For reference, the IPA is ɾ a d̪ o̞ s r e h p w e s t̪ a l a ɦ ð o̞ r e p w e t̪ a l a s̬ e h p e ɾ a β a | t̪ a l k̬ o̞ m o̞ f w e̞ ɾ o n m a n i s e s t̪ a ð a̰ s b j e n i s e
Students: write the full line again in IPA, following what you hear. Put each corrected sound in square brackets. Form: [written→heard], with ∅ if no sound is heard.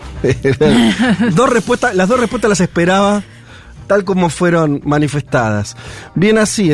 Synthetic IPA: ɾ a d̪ o̞ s r e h p w e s t̪ a l a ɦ ð o̞ r e p w e t̪ a l a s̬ e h p e ɾ a β a | t̪ a l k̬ o̞ m o̞ f w e̞ ɾ o n m a n i [s→f] e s t̪ a ð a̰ s b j e n [i→a] s [e→i]